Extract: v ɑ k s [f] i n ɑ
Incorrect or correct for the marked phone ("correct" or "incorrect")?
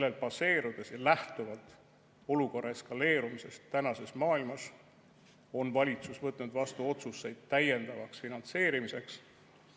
correct